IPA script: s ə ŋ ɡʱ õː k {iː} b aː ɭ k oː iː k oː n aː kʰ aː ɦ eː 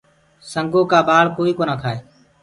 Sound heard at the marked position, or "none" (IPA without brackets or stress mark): aː